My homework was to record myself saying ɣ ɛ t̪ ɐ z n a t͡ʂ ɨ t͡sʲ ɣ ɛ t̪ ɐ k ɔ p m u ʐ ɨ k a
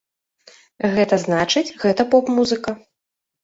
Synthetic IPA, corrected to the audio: ɣ ɛ t̪ ɐ z n a t͡ʂ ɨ t͡sʲ ɣ ɛ t̪ ɐ p ɔ p m u z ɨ k ɐ